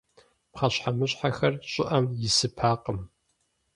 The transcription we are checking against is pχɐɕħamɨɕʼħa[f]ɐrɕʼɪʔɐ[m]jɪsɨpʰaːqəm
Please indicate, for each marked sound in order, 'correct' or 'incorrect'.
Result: incorrect: x, correct

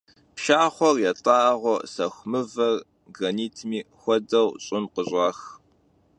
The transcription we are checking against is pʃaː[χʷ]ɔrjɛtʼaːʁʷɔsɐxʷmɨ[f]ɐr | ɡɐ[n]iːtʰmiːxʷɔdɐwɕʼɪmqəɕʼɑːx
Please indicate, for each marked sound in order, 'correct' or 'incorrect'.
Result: correct, incorrect: v, correct

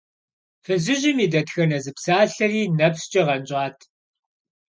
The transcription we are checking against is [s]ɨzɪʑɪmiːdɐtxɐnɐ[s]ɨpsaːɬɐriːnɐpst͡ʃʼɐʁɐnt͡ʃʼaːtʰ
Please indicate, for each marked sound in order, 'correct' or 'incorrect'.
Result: incorrect: f, incorrect: z

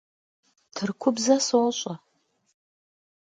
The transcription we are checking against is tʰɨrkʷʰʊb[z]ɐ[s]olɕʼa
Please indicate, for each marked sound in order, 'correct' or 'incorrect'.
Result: correct, correct

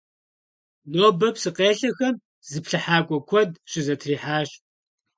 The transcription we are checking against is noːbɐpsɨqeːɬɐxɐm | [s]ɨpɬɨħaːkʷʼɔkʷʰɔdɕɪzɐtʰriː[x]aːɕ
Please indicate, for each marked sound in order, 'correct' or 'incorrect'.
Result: incorrect: z, incorrect: ħ

